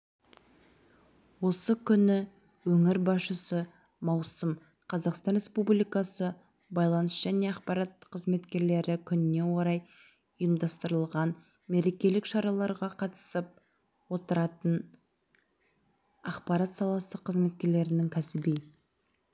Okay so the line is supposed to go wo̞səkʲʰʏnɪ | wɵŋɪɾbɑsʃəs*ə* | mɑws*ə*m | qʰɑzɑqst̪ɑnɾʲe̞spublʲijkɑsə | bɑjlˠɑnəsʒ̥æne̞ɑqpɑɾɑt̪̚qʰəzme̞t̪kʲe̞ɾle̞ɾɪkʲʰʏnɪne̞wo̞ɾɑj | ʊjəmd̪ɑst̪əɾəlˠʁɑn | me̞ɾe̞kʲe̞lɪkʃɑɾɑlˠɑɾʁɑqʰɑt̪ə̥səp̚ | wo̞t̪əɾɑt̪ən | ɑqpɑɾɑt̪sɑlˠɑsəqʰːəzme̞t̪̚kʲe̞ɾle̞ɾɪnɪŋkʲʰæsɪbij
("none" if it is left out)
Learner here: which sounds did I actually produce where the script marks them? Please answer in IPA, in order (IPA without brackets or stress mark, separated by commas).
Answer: ə, ə